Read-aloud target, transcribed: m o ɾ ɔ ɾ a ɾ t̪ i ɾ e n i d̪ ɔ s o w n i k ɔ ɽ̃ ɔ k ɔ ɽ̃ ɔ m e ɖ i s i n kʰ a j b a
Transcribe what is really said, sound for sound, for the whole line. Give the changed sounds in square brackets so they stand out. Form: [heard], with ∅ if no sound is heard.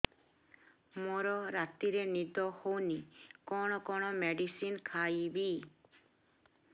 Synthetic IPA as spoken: m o ɾ ɔ ɾ a [∅] t̪ i ɾ e n i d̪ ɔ [h] o w n i k ɔ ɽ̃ ɔ k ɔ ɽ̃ ɔ m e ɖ i s i n kʰ a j b [i]